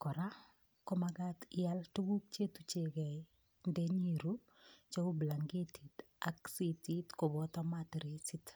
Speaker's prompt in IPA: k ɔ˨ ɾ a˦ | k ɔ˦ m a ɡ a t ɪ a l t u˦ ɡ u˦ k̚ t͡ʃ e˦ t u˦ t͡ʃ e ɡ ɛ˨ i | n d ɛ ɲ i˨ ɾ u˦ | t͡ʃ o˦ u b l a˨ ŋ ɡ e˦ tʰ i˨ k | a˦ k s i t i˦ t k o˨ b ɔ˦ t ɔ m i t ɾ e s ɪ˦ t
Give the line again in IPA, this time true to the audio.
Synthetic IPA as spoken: k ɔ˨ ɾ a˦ | k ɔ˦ m a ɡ a t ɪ a l t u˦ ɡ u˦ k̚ t͡ʃ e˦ t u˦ t͡ʃ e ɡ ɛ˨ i | n d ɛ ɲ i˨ ɾ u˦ | t͡ʃ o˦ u b l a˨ ŋ ɡ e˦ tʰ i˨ t | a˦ k s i t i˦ t k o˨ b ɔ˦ t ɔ m a t ɾ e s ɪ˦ t